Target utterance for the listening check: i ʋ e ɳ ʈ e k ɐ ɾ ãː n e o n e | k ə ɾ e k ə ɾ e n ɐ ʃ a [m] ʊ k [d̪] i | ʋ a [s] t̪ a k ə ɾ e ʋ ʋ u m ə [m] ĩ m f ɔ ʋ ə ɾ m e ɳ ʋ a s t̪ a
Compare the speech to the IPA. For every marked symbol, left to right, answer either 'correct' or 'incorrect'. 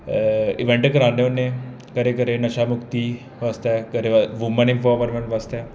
correct, incorrect, correct, incorrect

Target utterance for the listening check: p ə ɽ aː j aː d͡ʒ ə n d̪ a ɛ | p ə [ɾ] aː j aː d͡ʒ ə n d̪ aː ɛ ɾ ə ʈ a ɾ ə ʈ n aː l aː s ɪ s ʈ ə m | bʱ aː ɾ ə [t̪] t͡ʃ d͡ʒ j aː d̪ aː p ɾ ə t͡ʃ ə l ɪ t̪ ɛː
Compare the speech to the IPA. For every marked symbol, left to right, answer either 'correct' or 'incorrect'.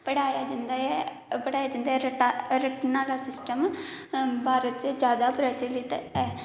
incorrect, correct

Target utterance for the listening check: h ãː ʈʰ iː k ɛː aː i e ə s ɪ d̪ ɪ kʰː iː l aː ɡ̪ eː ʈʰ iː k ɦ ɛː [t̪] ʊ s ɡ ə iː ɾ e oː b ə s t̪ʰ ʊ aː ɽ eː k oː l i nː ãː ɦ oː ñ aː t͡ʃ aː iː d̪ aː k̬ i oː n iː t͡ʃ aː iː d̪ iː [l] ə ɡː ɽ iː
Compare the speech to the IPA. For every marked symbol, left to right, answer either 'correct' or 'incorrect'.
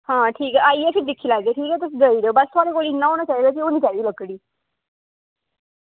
correct, correct

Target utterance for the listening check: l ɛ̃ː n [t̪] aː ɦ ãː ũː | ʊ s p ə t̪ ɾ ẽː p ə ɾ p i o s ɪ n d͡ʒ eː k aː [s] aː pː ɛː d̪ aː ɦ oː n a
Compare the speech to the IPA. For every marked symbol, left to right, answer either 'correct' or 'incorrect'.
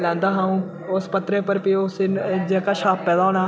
incorrect, incorrect

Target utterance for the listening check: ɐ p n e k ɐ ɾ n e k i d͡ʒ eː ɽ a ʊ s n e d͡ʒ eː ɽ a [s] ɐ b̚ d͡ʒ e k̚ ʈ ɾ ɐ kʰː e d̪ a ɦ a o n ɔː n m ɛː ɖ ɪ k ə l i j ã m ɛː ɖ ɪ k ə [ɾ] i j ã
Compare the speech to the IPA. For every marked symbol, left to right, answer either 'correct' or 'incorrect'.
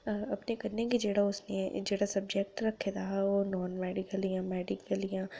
correct, incorrect

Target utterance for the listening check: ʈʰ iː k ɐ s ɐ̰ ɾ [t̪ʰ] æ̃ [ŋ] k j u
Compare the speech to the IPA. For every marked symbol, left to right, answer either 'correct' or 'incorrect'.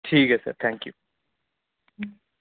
correct, correct

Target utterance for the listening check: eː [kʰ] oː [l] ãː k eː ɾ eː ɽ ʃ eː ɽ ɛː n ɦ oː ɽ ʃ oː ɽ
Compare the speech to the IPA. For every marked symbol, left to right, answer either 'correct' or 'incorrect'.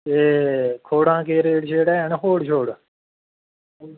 correct, incorrect

